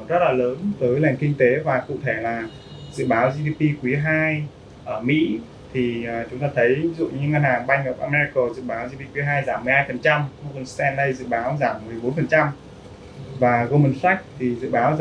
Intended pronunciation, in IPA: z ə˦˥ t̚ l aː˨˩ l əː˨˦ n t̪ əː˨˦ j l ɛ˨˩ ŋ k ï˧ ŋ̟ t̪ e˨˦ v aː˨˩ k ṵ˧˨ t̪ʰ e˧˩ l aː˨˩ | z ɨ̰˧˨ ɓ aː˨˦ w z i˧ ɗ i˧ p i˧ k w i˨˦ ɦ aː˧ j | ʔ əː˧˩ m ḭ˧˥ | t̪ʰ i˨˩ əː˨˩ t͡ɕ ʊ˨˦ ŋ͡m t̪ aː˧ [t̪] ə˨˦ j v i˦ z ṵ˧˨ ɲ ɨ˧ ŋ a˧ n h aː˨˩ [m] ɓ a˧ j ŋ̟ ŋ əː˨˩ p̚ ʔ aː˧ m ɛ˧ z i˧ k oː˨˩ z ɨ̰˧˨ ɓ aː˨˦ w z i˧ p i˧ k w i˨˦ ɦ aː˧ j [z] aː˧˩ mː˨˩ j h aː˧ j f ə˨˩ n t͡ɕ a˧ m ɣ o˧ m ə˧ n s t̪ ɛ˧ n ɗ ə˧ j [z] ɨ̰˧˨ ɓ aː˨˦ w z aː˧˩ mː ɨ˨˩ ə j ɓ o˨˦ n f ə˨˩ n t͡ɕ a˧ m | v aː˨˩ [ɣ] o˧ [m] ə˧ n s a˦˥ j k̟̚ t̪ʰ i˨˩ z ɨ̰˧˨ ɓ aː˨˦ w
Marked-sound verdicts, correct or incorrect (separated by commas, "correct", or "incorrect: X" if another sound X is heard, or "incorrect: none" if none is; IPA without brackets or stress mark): incorrect: t̪ʰ, incorrect: ŋ, correct, correct, correct, correct